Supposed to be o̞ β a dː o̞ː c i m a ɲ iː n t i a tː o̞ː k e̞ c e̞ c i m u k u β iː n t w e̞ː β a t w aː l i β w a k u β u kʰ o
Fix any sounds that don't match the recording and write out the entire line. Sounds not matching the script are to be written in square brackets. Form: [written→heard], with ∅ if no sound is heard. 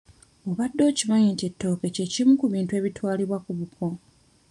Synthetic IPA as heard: o̞ β a dː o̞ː c i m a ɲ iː n t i [a→e] tː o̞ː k e̞ c e̞ c i m u k u β iː n t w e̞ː β [a→i] t w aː l i β w a k u β u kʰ o